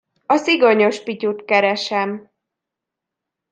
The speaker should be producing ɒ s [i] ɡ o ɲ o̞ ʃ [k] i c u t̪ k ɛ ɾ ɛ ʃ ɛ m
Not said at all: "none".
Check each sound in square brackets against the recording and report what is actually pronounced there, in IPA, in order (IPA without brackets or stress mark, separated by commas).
i, p